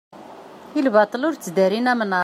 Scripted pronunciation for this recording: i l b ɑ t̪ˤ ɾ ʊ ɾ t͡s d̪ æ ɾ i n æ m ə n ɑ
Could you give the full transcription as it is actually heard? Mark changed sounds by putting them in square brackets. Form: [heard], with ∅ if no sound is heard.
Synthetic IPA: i l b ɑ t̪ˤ [l] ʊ ɾ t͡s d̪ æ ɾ i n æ m ə n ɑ